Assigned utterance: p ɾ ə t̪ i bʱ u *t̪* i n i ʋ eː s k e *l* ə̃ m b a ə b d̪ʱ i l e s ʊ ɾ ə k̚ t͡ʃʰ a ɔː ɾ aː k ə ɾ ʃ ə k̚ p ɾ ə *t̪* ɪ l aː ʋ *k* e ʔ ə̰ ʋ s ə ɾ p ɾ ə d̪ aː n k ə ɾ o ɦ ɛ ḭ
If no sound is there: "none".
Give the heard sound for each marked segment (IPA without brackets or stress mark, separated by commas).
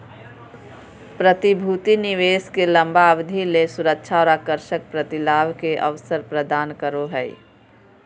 t̪, l, t̪, k